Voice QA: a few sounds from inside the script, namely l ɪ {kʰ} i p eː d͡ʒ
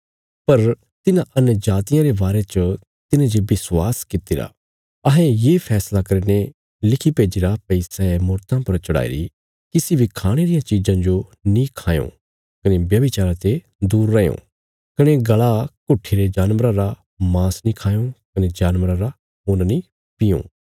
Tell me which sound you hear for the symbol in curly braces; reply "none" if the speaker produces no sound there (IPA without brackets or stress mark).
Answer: kʰ